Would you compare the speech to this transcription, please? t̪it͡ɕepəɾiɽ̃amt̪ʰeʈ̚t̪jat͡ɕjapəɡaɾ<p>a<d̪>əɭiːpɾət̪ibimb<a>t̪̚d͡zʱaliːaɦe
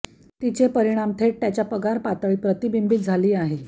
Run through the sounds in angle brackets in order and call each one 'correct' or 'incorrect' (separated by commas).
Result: correct, incorrect, incorrect